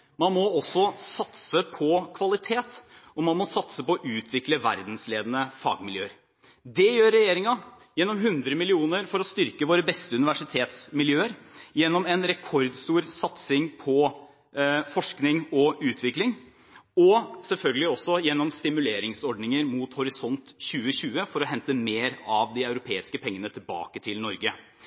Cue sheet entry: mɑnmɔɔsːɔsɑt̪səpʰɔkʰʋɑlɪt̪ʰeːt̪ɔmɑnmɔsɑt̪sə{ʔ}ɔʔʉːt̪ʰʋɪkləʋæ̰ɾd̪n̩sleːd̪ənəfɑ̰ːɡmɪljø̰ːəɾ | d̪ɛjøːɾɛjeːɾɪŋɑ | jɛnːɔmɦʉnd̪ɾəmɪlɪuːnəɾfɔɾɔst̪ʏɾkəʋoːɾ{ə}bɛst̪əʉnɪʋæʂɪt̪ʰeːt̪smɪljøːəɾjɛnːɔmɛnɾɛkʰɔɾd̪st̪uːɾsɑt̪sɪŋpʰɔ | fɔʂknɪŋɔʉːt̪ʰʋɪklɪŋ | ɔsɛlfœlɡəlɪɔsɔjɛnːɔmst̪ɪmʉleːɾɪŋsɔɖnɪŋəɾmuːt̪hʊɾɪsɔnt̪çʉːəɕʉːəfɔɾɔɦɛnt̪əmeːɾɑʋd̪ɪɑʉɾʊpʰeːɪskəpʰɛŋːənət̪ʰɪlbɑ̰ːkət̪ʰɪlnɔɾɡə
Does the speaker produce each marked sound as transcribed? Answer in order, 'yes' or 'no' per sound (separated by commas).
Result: no, yes